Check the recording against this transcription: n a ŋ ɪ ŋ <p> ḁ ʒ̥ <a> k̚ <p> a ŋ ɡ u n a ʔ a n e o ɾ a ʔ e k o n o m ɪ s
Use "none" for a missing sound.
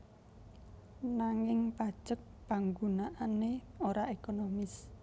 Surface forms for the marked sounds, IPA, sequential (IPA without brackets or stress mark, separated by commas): p, ə, p